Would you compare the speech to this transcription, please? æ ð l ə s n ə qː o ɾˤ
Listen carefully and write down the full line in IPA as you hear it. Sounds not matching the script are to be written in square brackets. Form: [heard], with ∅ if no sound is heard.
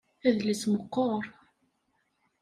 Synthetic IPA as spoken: æ ð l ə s [m] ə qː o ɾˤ